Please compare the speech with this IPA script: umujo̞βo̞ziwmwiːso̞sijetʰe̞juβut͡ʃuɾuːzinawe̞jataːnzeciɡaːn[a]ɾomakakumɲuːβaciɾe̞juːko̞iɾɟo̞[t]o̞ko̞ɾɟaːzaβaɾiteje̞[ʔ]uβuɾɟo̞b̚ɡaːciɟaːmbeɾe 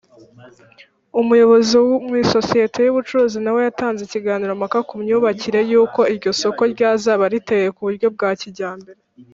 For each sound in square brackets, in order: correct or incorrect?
incorrect, incorrect, incorrect

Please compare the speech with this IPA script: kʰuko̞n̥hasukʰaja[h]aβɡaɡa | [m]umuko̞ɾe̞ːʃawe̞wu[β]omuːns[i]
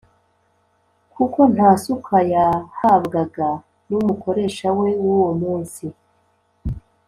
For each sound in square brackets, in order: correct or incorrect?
correct, incorrect, incorrect, correct

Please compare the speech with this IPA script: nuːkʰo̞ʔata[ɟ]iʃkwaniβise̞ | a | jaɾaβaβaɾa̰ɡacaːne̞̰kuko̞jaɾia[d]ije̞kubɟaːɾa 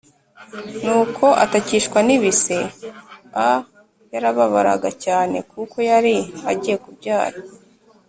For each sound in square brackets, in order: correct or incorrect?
incorrect, incorrect

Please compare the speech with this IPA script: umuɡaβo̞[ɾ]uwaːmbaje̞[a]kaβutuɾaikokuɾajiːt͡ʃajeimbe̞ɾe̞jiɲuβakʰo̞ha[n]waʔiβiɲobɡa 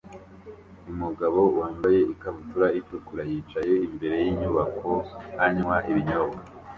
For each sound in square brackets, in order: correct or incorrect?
incorrect, incorrect, incorrect

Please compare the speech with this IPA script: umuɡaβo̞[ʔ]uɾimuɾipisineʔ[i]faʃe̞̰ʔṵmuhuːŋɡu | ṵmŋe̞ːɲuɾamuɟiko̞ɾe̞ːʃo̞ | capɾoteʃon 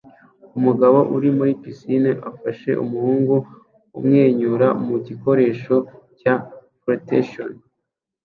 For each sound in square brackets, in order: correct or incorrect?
correct, incorrect

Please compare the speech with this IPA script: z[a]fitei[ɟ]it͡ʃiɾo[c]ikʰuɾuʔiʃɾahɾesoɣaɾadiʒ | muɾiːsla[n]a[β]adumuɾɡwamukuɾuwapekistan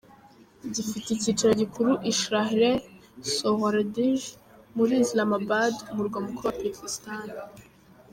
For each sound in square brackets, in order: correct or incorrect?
incorrect, incorrect, incorrect, incorrect, incorrect

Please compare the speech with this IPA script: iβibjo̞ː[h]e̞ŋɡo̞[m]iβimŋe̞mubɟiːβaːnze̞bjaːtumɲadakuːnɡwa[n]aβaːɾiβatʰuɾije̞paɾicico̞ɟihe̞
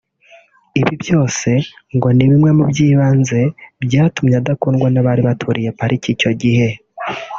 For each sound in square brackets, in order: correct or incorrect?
incorrect, incorrect, correct

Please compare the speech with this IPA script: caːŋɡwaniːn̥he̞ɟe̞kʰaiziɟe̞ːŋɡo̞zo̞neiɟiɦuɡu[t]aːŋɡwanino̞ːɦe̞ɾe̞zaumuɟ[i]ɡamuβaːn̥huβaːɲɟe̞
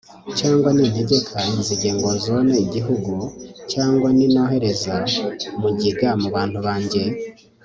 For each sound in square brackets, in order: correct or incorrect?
incorrect, correct

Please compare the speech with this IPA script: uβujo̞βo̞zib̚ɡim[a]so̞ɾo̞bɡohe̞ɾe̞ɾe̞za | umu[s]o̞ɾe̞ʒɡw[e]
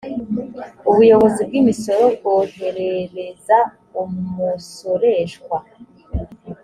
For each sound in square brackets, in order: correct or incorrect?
incorrect, correct, incorrect

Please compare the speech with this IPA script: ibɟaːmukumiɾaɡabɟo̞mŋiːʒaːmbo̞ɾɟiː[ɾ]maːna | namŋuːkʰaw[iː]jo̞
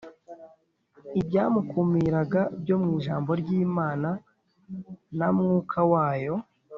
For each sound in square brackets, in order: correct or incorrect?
incorrect, incorrect

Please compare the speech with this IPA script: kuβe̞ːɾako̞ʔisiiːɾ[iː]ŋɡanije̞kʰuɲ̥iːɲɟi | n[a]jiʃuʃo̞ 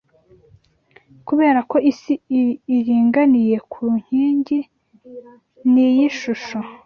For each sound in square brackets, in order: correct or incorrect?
correct, incorrect

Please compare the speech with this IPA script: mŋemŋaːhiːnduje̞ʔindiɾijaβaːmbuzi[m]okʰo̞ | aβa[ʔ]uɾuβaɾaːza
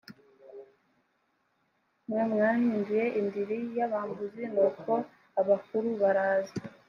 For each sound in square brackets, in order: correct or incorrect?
incorrect, incorrect

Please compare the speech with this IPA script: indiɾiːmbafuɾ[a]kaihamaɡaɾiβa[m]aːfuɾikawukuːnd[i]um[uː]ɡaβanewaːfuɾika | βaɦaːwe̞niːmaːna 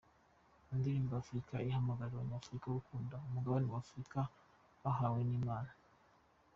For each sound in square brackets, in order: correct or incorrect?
incorrect, incorrect, incorrect, incorrect

